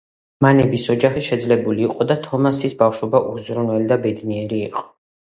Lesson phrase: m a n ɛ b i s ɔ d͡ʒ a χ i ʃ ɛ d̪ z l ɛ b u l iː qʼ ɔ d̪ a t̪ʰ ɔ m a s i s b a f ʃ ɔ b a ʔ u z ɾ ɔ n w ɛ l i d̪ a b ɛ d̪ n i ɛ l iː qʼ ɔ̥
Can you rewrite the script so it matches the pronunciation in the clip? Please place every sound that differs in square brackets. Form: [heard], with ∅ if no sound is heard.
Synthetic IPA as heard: m a n ɛ b i s ɔ d͡ʒ a χ i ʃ ɛ d̪ z l ɛ b u l iː qʼ ɔ d̪ a t̪ʰ ɔ m a s i s b a f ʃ ɔ b a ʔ u z ɾ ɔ n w ɛ l i d̪ a b ɛ d̪ n i ɛ [ɾ] iː qʼ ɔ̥